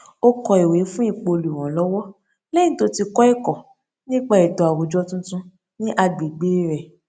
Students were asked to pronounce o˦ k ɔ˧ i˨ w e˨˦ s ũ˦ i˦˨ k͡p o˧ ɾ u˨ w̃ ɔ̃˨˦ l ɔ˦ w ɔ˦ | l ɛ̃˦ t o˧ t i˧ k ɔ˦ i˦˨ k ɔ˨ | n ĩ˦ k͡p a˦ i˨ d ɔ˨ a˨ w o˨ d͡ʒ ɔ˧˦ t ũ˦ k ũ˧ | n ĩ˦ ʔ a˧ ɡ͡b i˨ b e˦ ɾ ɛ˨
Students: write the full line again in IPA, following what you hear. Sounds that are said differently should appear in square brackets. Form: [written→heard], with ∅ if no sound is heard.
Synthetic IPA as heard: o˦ k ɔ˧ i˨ w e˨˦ [s→f] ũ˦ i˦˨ k͡p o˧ [ɾ→l] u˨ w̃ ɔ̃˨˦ l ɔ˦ w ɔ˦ | l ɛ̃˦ t o˧ t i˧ k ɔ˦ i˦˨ k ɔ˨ | n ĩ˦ k͡p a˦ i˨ d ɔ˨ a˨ w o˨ d͡ʒ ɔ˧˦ t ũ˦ [k→t] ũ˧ | n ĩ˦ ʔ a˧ ɡ͡b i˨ [b→ɡ͡b] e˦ ɾ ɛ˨

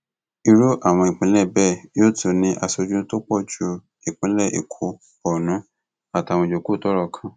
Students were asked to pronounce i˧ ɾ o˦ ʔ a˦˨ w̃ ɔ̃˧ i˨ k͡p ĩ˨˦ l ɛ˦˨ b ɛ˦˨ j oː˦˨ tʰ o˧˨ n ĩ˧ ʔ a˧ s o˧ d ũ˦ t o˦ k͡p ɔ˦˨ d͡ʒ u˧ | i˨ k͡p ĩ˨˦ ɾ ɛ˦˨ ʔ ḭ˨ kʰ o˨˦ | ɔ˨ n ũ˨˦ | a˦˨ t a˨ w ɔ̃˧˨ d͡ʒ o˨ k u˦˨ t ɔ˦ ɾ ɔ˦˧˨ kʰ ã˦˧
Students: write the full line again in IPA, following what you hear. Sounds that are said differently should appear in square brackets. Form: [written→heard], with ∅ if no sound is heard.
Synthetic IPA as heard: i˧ ɾ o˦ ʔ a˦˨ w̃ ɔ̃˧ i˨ k͡p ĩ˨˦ l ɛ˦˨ b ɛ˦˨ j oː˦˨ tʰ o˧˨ n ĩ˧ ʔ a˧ s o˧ [d→d͡ʒ] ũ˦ t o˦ k͡p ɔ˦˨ d͡ʒ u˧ | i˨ k͡p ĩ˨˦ [ɾ→l] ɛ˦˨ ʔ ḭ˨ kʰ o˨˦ | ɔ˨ n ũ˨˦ | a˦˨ t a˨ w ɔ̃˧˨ d͡ʒ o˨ k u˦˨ t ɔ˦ ɾ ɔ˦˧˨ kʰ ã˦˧

